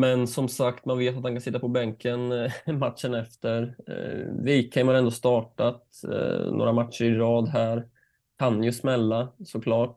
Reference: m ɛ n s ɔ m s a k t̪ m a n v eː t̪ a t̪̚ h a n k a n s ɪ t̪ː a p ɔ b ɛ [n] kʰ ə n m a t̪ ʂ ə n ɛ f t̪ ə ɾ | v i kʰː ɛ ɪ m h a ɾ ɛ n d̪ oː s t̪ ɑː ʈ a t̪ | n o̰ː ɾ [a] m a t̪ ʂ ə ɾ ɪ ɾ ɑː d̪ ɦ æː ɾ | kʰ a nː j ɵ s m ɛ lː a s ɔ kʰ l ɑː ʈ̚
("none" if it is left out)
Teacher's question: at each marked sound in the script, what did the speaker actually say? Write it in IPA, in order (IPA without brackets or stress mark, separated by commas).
ŋ, a